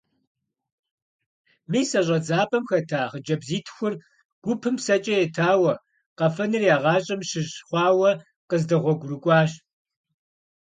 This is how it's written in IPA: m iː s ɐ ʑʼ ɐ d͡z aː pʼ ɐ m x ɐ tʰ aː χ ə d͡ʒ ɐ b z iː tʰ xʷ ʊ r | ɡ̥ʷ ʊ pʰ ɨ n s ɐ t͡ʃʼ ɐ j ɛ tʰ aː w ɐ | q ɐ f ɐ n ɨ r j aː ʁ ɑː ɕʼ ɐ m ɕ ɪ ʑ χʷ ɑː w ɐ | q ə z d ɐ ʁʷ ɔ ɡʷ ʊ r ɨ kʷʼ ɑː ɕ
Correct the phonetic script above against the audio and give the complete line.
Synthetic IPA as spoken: m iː s ɐ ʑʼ ɐ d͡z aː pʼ ɐ m x ɐ tʰ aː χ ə d͡ʒ ɐ b z iː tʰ xʷ ʊ r | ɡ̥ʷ ʊ pʰ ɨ m s ɐ t͡ʃʼ ɐ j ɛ tʰ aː w ɐ | q ɐ f ɐ n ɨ r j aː ʁ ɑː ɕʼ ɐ m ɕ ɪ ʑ χʷ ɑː w ɐ | q ə z d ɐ ʁʷ ɔ ɡʷ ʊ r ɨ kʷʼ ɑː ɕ